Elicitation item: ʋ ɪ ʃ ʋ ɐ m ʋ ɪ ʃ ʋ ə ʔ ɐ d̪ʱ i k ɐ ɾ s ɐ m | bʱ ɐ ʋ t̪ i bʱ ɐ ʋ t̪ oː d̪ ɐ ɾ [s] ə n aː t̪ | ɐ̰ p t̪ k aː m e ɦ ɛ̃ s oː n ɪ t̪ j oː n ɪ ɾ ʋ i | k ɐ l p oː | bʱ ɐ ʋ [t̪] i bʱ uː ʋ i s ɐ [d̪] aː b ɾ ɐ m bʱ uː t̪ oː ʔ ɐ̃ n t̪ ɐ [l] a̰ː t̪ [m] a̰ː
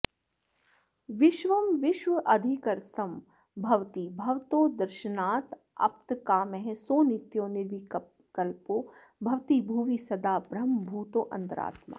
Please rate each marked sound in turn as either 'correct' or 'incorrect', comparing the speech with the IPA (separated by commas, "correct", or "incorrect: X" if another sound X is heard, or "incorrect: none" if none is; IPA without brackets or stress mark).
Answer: incorrect: ʃ, correct, correct, incorrect: ɾ, correct